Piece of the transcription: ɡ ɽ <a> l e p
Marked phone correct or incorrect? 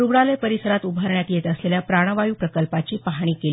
correct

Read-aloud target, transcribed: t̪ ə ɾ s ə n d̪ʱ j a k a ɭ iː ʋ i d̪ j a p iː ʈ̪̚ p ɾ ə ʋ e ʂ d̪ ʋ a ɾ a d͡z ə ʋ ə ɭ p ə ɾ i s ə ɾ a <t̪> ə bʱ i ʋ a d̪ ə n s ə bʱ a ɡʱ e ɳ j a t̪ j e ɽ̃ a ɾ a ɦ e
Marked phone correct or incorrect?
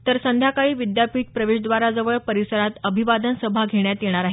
correct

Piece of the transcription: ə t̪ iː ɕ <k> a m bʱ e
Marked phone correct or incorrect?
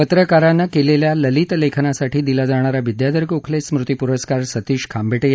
incorrect: kʰ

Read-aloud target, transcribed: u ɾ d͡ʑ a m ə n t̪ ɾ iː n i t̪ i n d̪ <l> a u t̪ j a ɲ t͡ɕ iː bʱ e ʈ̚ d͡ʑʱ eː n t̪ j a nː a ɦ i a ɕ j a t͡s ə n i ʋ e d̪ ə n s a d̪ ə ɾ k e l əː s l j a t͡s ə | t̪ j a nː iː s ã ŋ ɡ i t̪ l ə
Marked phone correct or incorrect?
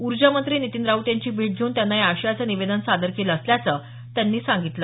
incorrect: ɾ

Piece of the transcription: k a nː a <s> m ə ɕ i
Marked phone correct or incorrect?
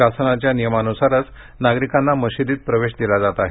incorrect: none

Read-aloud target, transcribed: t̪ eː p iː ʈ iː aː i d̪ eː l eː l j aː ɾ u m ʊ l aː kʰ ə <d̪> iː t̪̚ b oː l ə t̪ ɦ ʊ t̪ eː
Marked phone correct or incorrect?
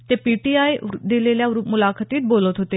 incorrect: t̪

